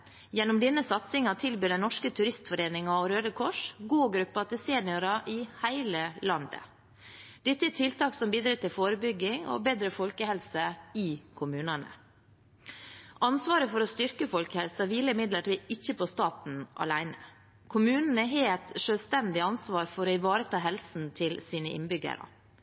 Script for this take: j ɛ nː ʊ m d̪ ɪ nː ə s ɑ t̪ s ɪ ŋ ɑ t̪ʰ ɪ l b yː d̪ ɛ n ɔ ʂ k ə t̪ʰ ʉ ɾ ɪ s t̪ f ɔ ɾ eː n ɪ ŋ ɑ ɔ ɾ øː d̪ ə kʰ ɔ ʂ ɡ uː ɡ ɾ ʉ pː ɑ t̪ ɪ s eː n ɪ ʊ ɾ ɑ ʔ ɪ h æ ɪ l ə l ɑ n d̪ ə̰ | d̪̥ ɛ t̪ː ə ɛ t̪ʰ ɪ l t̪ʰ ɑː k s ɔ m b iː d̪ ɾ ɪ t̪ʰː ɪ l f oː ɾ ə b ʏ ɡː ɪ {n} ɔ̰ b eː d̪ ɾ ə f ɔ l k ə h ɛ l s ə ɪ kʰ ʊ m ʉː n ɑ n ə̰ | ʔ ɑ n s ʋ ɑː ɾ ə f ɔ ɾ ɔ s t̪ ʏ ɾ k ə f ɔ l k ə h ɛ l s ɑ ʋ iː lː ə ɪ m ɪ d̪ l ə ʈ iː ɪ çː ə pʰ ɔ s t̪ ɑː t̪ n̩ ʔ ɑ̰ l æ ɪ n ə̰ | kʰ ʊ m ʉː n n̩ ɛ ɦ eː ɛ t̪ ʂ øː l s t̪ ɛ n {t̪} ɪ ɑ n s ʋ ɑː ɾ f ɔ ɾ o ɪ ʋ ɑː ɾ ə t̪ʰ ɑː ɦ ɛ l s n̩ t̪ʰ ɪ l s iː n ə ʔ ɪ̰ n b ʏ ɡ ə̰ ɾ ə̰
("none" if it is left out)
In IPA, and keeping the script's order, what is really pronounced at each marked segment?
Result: ŋ, d̪

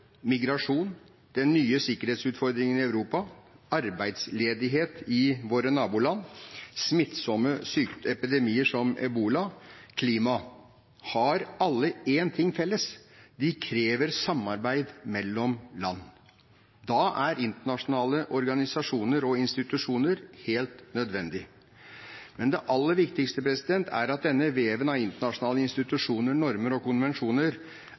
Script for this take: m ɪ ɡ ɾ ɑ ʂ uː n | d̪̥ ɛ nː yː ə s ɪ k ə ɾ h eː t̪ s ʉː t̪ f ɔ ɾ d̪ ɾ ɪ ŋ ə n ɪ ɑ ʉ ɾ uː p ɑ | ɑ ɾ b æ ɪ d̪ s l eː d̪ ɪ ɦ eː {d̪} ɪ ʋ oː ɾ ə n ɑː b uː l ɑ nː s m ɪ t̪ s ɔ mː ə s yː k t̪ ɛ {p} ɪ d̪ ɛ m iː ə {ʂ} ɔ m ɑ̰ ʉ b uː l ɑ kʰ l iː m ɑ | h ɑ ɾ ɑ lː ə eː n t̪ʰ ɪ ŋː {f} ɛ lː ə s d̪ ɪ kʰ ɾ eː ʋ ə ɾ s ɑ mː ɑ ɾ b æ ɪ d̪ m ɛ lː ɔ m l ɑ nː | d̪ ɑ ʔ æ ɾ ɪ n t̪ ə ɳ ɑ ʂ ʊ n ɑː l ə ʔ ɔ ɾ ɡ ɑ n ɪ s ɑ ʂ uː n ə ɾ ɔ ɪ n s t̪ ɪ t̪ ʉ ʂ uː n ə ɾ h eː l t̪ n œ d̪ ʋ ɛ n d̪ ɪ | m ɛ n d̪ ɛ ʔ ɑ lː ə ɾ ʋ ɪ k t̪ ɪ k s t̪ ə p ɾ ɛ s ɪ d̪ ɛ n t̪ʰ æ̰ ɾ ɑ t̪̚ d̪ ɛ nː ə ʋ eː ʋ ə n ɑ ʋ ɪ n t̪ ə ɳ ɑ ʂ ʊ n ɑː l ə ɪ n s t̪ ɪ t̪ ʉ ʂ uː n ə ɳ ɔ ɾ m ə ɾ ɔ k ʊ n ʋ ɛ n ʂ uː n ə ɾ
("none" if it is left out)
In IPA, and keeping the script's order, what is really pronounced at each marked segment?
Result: t̪, p, ʂ, f

